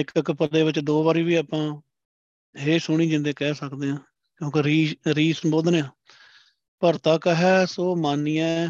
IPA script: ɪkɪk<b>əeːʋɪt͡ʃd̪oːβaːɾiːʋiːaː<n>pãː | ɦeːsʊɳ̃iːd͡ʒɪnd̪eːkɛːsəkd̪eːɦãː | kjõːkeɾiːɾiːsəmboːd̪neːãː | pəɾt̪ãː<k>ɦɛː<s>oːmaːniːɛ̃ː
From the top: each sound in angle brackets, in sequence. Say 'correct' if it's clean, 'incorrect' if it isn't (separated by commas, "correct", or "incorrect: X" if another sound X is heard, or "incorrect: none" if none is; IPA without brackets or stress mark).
incorrect: p, incorrect: none, correct, correct